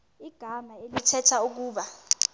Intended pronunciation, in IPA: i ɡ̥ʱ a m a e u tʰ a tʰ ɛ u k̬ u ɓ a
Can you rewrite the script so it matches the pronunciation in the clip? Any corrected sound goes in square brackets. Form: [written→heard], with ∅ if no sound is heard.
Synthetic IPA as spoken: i ɡ̥ʱ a m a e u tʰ [a→ɛ] tʰ [ɛ→a] u k̬ [u→uː] ɓ a